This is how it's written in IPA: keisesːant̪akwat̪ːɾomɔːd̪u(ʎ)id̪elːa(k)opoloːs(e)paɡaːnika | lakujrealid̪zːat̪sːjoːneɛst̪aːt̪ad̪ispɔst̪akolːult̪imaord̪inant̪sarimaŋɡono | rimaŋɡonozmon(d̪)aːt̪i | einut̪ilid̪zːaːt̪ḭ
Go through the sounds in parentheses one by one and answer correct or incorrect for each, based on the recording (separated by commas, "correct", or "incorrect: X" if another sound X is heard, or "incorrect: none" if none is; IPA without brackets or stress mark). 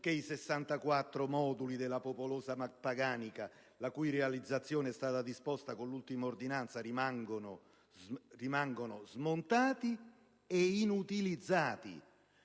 incorrect: l, incorrect: p, incorrect: a, incorrect: t̪